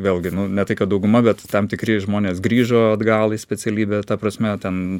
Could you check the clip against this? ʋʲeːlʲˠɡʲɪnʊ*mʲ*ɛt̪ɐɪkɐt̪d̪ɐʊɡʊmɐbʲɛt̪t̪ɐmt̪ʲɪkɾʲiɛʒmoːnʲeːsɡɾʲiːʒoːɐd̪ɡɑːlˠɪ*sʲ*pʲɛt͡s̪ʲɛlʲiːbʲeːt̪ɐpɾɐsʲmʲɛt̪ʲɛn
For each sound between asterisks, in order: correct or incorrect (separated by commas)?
incorrect, correct